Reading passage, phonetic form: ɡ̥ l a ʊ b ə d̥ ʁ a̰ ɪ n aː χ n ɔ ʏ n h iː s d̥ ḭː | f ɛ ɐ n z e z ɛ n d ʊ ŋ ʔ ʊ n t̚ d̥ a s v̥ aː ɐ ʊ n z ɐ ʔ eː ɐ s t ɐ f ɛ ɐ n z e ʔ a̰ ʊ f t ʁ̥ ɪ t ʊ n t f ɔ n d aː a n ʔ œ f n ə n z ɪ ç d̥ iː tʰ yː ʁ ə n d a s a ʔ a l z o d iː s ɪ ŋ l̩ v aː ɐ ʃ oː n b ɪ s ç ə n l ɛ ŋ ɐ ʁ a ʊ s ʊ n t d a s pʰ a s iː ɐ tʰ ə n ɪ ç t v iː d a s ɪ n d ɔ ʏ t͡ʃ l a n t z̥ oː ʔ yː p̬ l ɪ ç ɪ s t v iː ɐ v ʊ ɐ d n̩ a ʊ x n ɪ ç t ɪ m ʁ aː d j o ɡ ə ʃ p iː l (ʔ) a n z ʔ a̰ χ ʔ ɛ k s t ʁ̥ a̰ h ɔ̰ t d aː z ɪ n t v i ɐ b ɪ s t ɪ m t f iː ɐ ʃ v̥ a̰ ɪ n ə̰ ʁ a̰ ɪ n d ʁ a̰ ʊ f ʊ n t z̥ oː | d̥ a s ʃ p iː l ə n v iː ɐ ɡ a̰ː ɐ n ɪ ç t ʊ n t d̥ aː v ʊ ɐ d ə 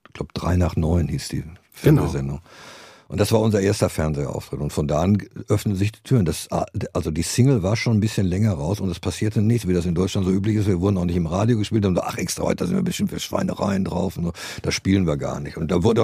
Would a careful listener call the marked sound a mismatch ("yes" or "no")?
yes